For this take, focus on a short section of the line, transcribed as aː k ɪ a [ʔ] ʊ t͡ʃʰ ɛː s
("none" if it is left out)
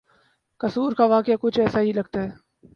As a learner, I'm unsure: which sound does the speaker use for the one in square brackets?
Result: k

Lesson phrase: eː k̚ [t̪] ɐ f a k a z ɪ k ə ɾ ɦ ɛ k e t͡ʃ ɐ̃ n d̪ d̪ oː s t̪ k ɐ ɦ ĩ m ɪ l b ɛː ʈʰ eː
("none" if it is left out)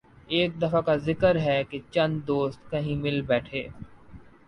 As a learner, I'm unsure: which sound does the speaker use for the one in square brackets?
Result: d̪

